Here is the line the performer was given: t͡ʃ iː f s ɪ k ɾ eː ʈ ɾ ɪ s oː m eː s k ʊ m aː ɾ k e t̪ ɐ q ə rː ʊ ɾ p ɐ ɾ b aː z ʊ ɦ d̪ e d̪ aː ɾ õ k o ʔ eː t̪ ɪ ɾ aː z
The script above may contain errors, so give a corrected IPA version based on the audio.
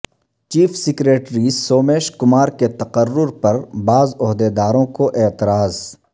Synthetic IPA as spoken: t͡ʃ iː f s ɪ k ɾ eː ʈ ɾ i s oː m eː ʃ k ʊ m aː ɾ k e t̪ ɐ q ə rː ʊ ɾ p ɐ ɾ b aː z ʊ ɦ d̪ e d̪ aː ɾ õ k o ʔ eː t̪ ɪ ɾ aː z

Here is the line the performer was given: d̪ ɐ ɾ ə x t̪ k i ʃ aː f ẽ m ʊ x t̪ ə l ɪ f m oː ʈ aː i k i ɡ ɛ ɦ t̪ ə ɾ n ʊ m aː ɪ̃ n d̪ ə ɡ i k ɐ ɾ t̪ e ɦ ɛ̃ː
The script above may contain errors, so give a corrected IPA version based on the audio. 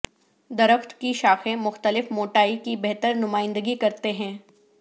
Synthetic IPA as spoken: d̪ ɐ ɾ ə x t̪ k i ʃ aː x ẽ m ʊ x t̪ ə l ɪ f m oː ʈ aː i k i b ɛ ɦ t̪ ə ɾ n ʊ m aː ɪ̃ n d̪ ə ɡ i k ɐ ɾ t̪ e ɦ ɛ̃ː

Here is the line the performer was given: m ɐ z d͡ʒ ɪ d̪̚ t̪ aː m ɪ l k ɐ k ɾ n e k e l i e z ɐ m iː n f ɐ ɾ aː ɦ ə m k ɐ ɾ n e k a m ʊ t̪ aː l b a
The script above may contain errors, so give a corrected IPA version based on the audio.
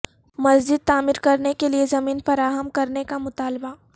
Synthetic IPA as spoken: m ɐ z d͡ʒ ɪ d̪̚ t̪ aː m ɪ ɾ k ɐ ɾ n e k e l i e z ɐ m iː n f ɐ ɾ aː ɦ ə m k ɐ ɾ n e k a m ʊ t̪ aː l b a

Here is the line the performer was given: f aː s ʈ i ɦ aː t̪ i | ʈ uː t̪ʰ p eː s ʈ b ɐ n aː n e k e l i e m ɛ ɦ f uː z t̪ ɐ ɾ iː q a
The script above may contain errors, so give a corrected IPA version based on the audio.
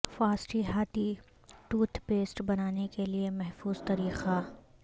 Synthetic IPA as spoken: f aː s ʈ i ɦ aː t̪ i | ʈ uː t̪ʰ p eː s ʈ b ɐ n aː n e k e l i e m ɛ ɦ f uː z t̪ ɐ ɾ iː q a

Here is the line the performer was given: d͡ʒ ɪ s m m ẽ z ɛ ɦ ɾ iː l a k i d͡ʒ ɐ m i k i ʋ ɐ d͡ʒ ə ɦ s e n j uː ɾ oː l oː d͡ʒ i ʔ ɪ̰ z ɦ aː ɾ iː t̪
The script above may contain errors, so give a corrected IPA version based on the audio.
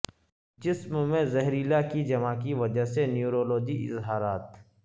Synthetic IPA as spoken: d͡ʒ ɪ s m m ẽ z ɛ ɦ ɾ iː l a k i d͡ʒ ɐ m a k i ʋ ɐ d͡ʒ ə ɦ s e n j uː ɾ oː l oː d͡ʒ i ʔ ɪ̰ z ɦ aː ɾ aː t̪

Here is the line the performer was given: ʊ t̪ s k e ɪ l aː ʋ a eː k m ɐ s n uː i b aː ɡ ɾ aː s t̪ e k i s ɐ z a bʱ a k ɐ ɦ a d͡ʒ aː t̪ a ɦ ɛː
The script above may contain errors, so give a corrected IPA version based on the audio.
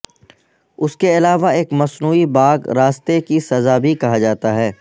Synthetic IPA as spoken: ʊ s k e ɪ l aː ʋ a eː k m ɐ s n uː i b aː ɡ ɾ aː s t̪ e k i s ɐ z a bʱ i k ɐ ɦ a d͡ʒ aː t̪ a ɦ ɛː

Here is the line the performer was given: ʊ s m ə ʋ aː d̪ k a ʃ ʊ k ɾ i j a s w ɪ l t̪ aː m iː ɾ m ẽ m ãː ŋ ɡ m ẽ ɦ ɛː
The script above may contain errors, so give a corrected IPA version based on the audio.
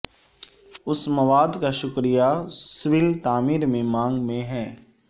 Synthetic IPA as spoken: ʊ s m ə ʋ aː d̪ k a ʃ ʊ k ɾ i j a s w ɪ l t̪ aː m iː ɾ m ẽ m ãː ŋ ɡ m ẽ ɦ ɛː

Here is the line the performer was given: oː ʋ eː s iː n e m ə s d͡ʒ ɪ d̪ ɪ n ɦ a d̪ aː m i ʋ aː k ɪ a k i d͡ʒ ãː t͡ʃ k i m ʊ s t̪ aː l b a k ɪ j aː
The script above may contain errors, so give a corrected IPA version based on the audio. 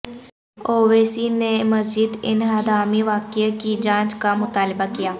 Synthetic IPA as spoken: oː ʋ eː s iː n e m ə s d͡ʒ ɪ d̪ ɪ n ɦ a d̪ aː m i ʋ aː k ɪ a k i d͡ʒ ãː t͡ʃ k a m ʊ t̪ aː l b a k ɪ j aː

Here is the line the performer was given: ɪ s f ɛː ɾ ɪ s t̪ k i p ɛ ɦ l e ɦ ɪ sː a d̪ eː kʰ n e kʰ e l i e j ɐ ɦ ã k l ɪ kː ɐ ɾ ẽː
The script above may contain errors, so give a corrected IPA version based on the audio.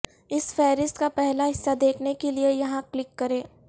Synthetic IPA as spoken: ɪ s f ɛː ɾ ɪ s t̪ k a p ɛ ɦ l a ɦ ɪ sː a d̪ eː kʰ n e k e l i e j ɐ ɦ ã k l ɪ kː ɐ ɾ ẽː

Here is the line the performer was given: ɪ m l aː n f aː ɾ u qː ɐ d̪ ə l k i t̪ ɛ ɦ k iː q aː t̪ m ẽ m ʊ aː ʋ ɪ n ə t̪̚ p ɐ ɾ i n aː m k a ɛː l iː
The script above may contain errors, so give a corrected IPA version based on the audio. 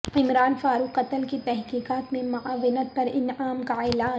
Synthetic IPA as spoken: ɪ m ɾ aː n f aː ɾ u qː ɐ t̪ ə l k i t̪ ɛ ɦ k iː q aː t̪ m ẽ m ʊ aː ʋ ɪ n ə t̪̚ p ɐ ɾ ɪ n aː m k a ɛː l aː

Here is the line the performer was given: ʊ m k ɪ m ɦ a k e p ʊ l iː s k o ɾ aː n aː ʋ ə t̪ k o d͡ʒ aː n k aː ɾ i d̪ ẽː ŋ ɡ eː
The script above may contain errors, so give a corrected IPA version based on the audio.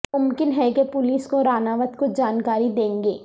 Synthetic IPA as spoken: ʊ m k ɪ n ɦ ɛ k e p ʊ l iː s k o ɾ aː n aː ʋ ə t̪ k o d͡ʒ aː n k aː ɾ i d̪ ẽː ŋ ɡ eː

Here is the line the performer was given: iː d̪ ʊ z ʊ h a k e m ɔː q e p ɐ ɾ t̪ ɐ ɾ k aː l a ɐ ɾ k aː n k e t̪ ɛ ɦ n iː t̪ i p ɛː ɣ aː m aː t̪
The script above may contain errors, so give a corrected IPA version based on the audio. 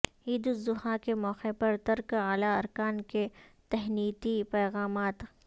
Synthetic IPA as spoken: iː d̪ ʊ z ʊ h a k e m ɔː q e p ɐ ɾ t̪ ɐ ɾ k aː l a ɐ ɾ k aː n k e t̪ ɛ ɦ n iː t̪ i p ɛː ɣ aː m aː t̪

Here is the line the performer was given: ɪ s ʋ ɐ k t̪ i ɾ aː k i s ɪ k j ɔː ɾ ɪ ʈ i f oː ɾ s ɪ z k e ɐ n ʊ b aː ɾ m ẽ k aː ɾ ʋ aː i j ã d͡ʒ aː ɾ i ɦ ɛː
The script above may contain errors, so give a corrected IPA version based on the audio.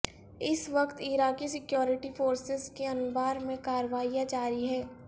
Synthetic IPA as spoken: ɪ s ʋ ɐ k t̪ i ɾ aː k i s ɪ k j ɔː ɾ ɪ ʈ i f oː ɾ s ɪ z k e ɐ n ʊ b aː ɾ m ẽ k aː ɾ ʋ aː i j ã d͡ʒ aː ɾ i ɦ ɛː

